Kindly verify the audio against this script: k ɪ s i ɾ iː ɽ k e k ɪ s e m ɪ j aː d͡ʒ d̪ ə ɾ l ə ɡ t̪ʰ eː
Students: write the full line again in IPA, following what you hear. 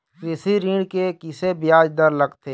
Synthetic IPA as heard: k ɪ s i ɾ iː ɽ k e k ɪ s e b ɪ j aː d͡ʒ d̪ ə ɾ l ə ɡ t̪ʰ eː